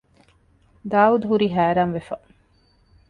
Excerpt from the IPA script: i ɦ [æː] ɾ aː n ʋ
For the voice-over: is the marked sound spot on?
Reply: yes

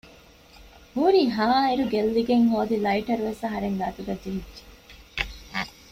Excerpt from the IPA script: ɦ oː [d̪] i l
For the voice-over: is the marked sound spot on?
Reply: yes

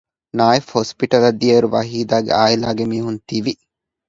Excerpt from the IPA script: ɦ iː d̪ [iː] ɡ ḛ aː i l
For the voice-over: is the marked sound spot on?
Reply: no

